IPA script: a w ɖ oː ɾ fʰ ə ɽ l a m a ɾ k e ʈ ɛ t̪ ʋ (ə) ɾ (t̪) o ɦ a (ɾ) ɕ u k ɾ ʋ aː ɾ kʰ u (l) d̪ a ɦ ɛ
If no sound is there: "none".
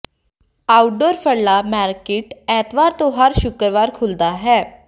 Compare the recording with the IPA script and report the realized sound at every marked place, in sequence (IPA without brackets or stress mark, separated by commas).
a, t̪, ɾ, l